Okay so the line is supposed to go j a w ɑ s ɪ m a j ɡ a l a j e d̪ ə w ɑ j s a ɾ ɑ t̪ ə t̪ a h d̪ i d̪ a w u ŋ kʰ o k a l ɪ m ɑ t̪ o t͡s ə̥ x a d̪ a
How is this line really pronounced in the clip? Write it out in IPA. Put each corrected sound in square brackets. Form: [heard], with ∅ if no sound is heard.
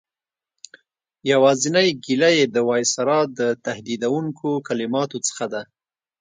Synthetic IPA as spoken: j a w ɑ [z] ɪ [n] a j ɡ [i] l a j e d̪ ə w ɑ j s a ɾ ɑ [d̪] ə t̪ a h d̪ i d̪ a w u ŋ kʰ o k a l ɪ m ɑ t̪ o t͡s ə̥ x a d̪ a